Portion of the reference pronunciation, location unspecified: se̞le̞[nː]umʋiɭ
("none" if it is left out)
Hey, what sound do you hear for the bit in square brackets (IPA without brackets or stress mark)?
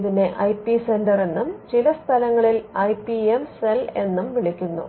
nː